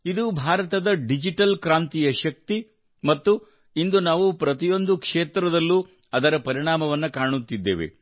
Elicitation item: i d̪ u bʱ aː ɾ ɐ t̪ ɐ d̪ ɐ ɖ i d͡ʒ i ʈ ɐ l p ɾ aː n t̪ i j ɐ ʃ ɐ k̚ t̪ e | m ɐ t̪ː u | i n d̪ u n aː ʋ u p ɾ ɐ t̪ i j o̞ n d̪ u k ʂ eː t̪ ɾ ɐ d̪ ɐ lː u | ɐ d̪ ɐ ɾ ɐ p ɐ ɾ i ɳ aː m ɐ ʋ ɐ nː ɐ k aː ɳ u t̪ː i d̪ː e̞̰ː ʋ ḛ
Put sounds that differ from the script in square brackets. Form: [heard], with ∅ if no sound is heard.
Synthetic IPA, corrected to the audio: i d̪ u bʱ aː ɾ ɐ t̪ ɐ d̪ ɐ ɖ i d͡ʒ i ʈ ɐ l [k] ɾ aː n t̪ i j ɐ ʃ ɐ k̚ t̪ [i] | m ɐ t̪ː u | i n d̪ u n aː ʋ u p ɾ ɐ t̪ i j o̞ n d̪ u k ʂ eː t̪ ɾ ɐ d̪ ɐ lː u | ɐ d̪ ɐ ɾ ɐ p ɐ ɾ i ɳ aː m ɐ ʋ ɐ nː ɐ k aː ɳ u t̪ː i d̪ː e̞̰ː ʋ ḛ